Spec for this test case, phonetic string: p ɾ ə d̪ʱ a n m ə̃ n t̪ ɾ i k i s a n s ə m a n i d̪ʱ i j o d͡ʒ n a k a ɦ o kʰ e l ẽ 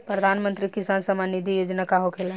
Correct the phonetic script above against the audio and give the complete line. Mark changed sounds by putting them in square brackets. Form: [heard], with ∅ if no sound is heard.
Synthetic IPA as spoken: p ɾ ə d̪ʱ a n m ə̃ n t̪ ɾ i k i s a n s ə m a n i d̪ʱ i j o d͡ʒ n a k a ɦ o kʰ e l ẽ